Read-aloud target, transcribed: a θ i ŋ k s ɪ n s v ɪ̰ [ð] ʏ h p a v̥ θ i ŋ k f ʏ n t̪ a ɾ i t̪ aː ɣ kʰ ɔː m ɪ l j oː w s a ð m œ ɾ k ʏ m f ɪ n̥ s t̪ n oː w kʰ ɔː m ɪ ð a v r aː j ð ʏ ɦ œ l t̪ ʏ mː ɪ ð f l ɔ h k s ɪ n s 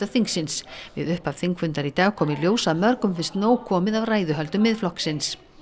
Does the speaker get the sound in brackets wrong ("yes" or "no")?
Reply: no